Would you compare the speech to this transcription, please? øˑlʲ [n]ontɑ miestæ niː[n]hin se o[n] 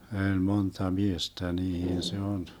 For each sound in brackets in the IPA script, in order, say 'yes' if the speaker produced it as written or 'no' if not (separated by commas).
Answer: no, no, yes